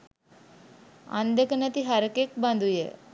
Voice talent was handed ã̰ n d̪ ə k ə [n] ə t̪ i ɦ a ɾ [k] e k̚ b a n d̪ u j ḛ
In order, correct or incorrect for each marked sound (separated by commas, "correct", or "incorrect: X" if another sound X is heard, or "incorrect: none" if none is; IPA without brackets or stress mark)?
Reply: correct, correct